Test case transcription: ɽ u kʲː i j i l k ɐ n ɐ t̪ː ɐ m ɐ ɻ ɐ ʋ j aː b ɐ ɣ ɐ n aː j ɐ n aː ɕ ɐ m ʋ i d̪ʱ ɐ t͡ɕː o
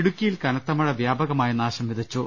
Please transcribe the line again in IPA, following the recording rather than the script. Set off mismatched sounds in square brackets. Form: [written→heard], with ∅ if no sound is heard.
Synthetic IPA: ɽ u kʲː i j i l k ɐ n ɐ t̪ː ɐ m ɐ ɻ ɐ ʋ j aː b ɐ ɣ ɐ [n→m] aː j ɐ n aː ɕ ɐ m ʋ i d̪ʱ ɐ t͡ɕː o

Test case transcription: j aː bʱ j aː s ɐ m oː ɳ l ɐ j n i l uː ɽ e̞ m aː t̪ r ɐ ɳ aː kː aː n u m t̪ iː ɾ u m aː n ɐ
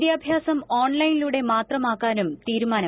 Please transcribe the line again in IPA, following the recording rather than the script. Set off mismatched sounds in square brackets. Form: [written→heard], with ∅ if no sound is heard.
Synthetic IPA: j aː bʱ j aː s ɐ m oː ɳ l ɐ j n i l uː ɽ e̞ m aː t̪ r ɐ [ɳ→m] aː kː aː n u m t̪ iː ɾ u m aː n ɐ

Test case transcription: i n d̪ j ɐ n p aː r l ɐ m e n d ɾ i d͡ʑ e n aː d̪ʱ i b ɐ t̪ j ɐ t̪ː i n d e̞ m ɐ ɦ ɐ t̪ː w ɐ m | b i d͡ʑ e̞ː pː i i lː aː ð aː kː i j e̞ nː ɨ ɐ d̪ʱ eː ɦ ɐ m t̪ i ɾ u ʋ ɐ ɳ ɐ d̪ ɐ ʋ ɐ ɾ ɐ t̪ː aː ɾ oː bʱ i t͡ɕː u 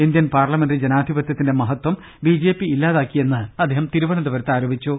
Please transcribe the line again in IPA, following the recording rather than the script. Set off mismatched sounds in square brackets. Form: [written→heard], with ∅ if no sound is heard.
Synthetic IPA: i n d̪ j ɐ n p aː r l ɐ m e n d [ɾ→r] i d͡ʑ e n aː d̪ʱ i b ɐ t̪ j ɐ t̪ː i n d e̞ m ɐ ɦ ɐ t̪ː w ɐ m | b i d͡ʑ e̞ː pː i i lː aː ð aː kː i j e̞ nː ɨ ɐ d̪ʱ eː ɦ ɐ m t̪ i ɾ u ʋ ɐ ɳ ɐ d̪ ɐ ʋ ɐ ɾ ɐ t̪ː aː ɾ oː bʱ i t͡ɕː u

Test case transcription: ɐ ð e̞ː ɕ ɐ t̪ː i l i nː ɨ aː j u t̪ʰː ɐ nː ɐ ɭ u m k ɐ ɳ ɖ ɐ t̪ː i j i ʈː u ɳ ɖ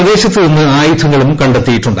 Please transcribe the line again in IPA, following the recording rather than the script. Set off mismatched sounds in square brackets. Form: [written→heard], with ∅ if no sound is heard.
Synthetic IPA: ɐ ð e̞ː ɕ ɐ t̪ː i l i nː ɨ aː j u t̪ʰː ɐ [nː→ŋː] ɐ ɭ u m k ɐ ɳ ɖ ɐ t̪ː i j i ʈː u ɳ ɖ

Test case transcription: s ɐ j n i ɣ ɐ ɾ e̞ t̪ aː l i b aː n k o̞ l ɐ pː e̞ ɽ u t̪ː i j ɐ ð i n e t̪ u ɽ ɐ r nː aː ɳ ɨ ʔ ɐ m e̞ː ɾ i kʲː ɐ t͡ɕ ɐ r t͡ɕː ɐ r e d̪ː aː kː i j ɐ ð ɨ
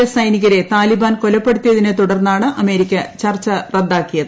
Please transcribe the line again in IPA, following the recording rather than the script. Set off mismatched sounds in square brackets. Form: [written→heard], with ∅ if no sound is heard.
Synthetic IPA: s ɐ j n i ɣ ɐ ɾ e̞ t̪ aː l i b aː n k o̞ l ɐ pː e̞ ɽ u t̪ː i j ɐ ð i n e t̪ u ɽ ɐ r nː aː ɳ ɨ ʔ ɐ m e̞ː ɾ i kʲː ɐ t͡ɕ ɐ r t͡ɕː ɐ r e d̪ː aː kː i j ɐ ð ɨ

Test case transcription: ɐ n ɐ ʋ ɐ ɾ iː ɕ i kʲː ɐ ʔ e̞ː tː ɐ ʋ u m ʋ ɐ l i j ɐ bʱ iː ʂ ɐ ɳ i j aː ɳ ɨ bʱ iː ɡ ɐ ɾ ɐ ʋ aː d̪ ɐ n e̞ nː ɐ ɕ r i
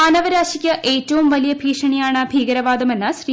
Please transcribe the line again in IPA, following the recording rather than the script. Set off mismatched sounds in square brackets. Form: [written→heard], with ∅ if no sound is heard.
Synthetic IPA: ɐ n ɐ ʋ ɐ ɾ [iː→aː] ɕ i kʲː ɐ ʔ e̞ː tː ɐ ʋ u m ʋ ɐ l i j ɐ bʱ iː ʂ ɐ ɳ i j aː ɳ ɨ bʱ iː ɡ ɐ ɾ ɐ ʋ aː d̪ ɐ [n→m] e̞ nː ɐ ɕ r i

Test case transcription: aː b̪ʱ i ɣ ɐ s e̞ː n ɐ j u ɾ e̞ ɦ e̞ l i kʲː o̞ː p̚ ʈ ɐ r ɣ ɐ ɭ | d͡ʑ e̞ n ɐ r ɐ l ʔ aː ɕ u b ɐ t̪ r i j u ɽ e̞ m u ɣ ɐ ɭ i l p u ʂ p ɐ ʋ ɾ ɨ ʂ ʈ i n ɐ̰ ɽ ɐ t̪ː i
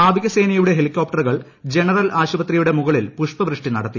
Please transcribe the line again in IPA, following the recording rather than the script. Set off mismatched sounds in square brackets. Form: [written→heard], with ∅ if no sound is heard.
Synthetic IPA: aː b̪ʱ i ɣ ɐ s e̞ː n ɐ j u [ɾ→ɽ] e̞ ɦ e̞ l i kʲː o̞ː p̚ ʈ ɐ r ɣ ɐ ɭ | d͡ʑ e̞ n ɐ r ɐ l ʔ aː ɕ u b ɐ t̪ r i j u ɽ e̞ m u ɣ ɐ ɭ i l p u ʂ p ɐ ʋ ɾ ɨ ʂ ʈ i n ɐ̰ ɽ ɐ t̪ː i

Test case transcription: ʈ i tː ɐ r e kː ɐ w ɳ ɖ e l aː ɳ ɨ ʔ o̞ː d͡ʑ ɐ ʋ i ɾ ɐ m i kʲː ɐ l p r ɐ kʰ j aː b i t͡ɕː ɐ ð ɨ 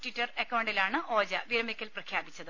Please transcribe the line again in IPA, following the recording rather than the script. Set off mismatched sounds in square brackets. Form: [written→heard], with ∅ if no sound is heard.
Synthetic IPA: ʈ i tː ɐ r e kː ɐ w ɳ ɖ [e→i] l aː ɳ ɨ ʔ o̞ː d͡ʑ ɐ ʋ i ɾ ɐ m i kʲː ɐ l p r ɐ kʰ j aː b i t͡ɕː ɐ ð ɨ

